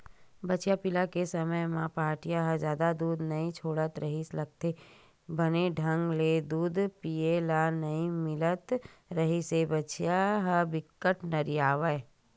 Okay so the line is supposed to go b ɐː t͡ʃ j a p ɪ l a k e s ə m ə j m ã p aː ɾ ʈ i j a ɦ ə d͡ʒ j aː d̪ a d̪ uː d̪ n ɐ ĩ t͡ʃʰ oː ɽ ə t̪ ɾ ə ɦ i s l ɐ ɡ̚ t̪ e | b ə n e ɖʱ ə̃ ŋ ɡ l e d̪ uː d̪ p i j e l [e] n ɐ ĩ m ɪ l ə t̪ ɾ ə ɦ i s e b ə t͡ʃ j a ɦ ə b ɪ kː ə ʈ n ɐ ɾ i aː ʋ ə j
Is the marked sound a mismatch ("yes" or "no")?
yes